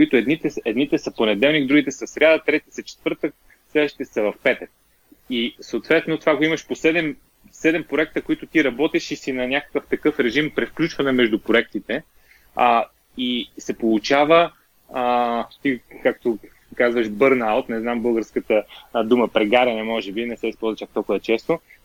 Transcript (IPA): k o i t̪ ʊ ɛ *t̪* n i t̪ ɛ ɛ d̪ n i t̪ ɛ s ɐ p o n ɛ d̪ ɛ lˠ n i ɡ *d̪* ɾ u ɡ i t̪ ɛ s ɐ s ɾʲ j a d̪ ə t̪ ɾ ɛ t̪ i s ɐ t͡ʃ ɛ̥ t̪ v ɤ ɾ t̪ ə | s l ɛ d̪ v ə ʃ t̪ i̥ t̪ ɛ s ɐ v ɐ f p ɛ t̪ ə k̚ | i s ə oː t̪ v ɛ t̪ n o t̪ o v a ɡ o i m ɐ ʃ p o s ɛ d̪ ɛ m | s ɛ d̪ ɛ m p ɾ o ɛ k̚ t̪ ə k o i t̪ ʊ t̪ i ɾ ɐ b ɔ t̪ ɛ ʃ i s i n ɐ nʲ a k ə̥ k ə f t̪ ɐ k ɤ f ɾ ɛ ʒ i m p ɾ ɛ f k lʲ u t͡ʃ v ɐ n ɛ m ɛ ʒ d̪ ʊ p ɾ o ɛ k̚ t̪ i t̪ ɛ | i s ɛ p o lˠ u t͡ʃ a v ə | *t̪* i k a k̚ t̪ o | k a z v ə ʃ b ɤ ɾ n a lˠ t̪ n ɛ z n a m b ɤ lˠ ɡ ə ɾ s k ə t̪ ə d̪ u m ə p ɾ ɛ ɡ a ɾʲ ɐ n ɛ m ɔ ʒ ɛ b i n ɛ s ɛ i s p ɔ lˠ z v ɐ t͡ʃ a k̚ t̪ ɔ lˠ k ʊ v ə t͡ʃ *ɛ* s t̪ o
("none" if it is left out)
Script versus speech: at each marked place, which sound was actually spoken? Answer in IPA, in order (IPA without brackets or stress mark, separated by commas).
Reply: d̪, d̪, t̪, ɛ